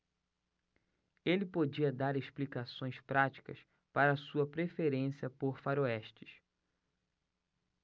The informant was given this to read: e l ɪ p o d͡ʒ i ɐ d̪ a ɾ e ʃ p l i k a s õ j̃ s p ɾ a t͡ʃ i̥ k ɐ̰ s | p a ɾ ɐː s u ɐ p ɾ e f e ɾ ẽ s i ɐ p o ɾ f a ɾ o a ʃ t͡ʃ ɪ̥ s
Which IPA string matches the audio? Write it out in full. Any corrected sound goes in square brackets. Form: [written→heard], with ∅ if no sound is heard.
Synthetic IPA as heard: e l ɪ p o d͡ʒ i ɐ d̪ a ɾ e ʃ p l i k a s õ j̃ s p ɾ a t͡ʃ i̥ k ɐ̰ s | p a ɾ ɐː s u ɐ p ɾ e f e ɾ ẽ s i ɐ p o ɾ f a ɾ o [a→ɛ] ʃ t͡ʃ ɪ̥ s